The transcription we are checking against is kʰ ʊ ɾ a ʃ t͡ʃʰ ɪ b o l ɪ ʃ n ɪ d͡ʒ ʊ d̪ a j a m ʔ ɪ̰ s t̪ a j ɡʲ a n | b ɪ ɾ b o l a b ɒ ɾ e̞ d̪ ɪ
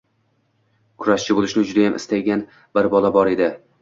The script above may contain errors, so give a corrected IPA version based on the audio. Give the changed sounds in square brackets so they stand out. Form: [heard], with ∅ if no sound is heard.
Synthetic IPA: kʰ ʊ ɾ a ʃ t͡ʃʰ ɪ b o l ɪ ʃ n ɪ d͡ʒ ʊ d̪ a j a m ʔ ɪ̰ s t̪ a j ɡʲ a n | b ɪ ɾ b [ɒ] l a b ɒ ɾ e̞ d̪ ɪ